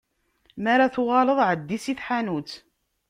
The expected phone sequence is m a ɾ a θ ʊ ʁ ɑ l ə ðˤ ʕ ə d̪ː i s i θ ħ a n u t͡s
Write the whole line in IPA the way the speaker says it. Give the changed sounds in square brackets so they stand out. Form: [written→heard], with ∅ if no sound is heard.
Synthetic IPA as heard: m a ɾ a θ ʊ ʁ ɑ l ə ðˤ ʕ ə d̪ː i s i θ ħ a n u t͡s